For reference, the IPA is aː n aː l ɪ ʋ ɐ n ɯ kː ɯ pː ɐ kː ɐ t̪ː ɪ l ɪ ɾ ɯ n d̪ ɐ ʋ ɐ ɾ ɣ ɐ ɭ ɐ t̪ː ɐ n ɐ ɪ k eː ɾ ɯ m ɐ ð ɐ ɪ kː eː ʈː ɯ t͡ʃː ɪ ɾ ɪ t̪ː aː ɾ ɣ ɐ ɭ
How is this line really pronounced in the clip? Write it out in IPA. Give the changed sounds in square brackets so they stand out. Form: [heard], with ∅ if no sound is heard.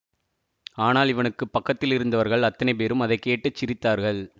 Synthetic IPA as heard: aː n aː l ɪ ʋ ɐ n ɯ kː ɯ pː ɐ kː ɐ t̪ː ɪ l ɪ ɾ ɯ n d̪ ɐ ʋ ɐ ɾ ɣ ɐ ɭ ɐ t̪ː ɐ n ɐ ɪ [p] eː ɾ ɯ m ɐ ð ɐ ɪ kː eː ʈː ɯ t͡ʃː ɪ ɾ ɪ t̪ː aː ɾ ɣ ɐ ɭ